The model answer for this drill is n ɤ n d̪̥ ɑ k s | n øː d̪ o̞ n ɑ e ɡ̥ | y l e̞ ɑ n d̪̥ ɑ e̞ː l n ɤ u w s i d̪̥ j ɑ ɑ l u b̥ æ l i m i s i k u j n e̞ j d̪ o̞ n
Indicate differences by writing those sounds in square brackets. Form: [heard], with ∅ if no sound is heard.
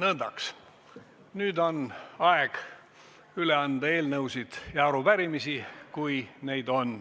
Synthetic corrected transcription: n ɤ n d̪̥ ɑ k s | n [yː] d̪ o̞ n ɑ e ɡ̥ | y l e̞ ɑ n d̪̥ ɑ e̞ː l n ɤ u w s i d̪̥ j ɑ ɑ [ɾ] u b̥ æ [ɾ] i m i s i k u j n e̞ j d̪ o̞ n

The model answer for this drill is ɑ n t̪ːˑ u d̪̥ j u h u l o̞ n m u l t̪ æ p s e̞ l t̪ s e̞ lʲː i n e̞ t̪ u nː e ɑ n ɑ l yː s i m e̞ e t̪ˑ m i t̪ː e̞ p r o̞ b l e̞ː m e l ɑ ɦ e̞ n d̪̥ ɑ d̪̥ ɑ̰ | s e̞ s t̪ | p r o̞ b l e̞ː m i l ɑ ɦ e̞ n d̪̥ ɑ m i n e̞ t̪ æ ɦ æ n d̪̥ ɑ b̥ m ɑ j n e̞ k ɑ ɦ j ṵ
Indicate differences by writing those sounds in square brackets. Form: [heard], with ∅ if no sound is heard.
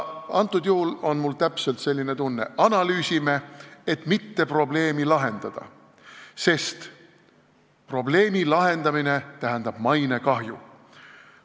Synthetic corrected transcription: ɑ n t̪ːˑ u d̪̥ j u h u l o̞ n m u l t̪ æ p s e̞ l t̪ s e̞ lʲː i n e̞ t̪ u nː e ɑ n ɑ l yː s i m e̞ e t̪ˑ m i t̪ː e̞ p r o̞ b l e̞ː m [i] l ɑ ɦ e̞ n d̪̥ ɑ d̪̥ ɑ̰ | s e̞ s t̪ | p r o̞ b l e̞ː m i l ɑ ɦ e̞ n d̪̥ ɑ m i n e̞ t̪ æ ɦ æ n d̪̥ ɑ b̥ m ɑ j n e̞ k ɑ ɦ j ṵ

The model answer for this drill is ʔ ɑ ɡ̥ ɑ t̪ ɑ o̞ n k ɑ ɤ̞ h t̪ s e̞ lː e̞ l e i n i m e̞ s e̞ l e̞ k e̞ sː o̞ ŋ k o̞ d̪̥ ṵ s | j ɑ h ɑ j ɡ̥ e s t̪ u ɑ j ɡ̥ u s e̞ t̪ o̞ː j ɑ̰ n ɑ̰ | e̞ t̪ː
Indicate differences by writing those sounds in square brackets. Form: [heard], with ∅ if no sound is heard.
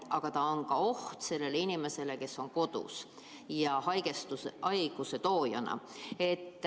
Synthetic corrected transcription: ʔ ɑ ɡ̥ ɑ t̪ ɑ o̞ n k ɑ [o̞] h t̪ s e̞ lː e̞ l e i n i m e̞ s e̞ l e̞ k e̞ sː o̞ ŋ k o̞ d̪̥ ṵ s | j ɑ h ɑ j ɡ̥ e s t̪ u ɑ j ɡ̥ u s e̞ t̪ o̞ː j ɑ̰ n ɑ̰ | e̞ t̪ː

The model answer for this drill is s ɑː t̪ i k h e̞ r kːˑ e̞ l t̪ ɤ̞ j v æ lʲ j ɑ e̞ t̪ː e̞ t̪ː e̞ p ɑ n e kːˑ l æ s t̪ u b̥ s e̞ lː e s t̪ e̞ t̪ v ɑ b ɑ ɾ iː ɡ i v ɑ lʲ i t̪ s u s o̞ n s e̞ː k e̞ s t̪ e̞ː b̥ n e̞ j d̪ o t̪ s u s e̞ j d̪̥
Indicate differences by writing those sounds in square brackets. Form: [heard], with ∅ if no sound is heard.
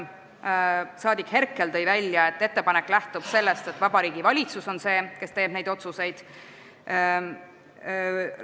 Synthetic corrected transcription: s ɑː [d̪] i k h e̞ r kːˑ e̞ l t̪ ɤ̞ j v æ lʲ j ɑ e̞ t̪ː e̞ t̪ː e̞ p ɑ n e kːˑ l æ [h] t̪ u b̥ s e̞ lː e s t̪ e̞ t̪ v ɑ b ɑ ɾ iː ɡ i v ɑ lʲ i t̪ s u s o̞ n s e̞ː k e̞ s t̪ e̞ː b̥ n e̞ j d̪ o t̪ s u s e̞ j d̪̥

